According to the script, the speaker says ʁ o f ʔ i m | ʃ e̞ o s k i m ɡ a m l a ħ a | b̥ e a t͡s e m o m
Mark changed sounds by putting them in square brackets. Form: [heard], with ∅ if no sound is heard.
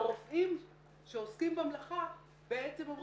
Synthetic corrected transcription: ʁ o f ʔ i m | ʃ e̞ o s k i m [b] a m l a [χ] a | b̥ e [e] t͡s e m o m